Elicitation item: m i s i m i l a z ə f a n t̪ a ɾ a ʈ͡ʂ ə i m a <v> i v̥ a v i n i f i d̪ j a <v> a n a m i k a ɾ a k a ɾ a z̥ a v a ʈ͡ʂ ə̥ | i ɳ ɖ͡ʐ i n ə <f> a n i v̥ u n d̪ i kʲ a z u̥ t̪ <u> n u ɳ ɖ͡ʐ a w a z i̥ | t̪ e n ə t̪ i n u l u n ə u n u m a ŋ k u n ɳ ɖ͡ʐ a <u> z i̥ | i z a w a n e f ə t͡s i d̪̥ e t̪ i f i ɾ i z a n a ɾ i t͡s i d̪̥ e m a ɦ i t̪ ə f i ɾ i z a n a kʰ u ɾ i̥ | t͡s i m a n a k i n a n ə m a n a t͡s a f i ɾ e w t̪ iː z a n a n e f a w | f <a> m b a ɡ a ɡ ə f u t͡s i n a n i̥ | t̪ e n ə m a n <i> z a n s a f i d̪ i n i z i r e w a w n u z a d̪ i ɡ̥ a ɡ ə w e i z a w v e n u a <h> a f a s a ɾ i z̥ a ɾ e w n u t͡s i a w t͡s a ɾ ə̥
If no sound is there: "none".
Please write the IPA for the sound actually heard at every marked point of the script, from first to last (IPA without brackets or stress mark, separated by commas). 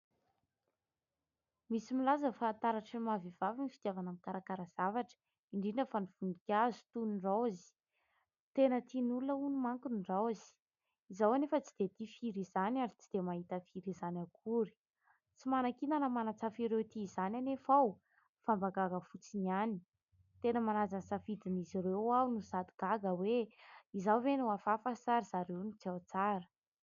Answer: v, v, f, u, w, a, a, f